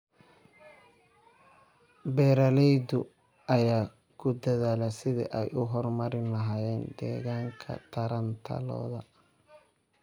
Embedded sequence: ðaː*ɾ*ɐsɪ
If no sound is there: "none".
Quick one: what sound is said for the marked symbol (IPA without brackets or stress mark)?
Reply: l